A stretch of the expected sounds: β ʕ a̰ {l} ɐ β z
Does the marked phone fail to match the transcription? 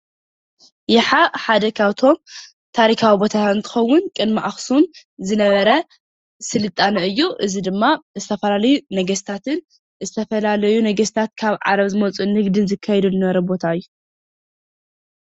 yes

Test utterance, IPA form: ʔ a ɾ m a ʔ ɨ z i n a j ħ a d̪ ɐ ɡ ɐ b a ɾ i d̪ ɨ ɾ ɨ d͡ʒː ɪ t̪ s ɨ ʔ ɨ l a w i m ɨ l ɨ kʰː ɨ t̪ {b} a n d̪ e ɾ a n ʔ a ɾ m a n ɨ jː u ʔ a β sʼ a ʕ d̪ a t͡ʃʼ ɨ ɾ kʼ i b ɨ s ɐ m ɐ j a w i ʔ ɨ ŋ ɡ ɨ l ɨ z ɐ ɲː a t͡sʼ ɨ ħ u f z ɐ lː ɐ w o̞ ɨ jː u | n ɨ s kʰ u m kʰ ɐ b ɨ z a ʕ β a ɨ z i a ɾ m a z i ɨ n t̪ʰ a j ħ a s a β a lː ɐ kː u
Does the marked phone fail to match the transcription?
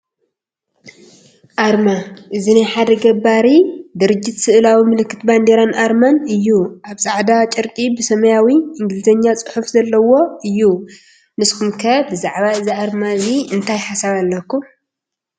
no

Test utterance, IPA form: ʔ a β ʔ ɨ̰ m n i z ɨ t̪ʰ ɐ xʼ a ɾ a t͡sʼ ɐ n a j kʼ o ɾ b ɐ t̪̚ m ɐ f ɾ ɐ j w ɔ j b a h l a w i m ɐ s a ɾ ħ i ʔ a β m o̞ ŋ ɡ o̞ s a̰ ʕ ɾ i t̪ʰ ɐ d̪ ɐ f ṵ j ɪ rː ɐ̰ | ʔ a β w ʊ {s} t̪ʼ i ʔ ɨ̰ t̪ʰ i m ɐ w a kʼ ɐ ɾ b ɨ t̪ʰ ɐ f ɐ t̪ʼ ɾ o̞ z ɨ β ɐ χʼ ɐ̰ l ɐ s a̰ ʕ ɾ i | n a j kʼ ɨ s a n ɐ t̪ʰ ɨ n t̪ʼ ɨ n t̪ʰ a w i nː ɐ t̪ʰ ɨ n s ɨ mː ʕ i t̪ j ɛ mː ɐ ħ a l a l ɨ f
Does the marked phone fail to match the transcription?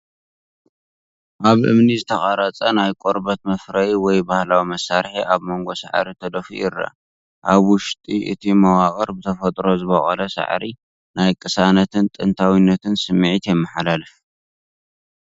yes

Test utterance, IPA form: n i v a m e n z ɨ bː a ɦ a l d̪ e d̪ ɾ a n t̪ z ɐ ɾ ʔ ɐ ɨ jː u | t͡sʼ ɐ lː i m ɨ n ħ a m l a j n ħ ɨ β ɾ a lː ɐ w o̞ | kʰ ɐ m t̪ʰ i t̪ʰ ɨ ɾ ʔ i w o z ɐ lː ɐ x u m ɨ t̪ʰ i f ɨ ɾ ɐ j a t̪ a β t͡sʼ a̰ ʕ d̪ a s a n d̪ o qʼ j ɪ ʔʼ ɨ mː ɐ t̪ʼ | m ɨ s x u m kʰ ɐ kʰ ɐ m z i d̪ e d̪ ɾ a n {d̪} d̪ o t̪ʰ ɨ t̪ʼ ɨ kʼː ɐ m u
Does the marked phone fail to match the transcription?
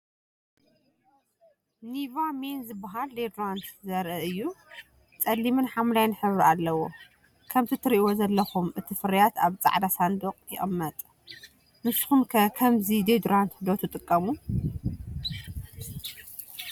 yes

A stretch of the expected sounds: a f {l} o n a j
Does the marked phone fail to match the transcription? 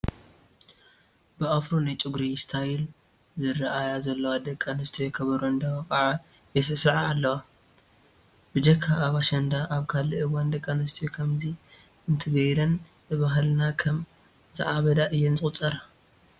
yes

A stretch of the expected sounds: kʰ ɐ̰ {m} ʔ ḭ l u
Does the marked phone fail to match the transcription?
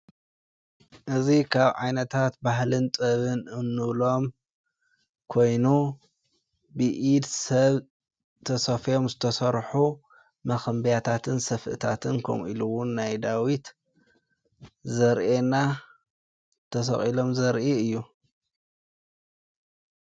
no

